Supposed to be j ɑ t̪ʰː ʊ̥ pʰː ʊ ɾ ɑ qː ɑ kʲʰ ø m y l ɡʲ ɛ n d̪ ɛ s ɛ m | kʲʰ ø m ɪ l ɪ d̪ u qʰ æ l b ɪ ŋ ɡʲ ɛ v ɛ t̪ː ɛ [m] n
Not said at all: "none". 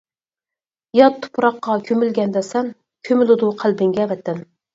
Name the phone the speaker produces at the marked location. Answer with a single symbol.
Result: none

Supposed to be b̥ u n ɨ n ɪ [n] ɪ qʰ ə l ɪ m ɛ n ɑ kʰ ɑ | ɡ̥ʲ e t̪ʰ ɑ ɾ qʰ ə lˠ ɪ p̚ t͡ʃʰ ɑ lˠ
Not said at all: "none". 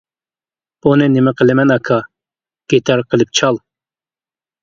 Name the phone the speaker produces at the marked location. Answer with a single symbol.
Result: m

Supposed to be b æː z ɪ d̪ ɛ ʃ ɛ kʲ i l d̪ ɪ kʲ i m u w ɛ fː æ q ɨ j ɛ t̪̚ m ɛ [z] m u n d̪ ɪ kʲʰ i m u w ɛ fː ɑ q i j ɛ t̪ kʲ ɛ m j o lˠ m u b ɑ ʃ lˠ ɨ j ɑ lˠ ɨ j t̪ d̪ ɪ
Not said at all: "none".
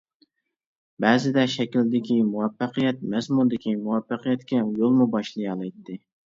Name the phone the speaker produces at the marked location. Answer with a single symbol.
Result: z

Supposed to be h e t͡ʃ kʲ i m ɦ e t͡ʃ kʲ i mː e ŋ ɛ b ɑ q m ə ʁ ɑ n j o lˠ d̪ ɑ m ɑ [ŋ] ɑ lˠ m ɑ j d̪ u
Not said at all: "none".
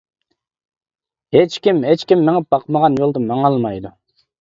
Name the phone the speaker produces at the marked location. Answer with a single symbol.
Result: ŋ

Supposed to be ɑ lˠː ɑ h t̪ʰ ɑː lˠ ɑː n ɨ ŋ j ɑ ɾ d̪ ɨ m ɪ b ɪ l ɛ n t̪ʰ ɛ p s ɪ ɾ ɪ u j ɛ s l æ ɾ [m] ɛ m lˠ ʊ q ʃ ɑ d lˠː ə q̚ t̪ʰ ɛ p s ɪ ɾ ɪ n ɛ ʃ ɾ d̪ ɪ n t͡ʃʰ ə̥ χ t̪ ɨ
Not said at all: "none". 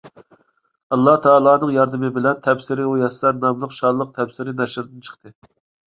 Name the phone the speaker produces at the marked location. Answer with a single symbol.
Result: m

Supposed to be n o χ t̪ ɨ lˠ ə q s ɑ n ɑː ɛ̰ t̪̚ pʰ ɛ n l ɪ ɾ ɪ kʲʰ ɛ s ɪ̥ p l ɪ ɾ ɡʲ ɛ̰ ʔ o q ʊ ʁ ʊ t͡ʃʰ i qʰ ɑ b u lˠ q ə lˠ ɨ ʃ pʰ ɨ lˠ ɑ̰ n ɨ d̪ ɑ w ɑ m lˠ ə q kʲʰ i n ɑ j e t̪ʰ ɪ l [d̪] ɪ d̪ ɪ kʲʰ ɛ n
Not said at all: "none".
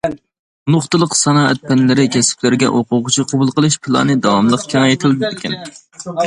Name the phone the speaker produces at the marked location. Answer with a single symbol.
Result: d̪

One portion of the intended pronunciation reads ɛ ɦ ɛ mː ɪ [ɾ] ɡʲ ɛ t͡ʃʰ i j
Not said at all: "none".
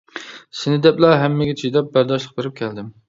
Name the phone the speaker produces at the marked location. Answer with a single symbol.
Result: none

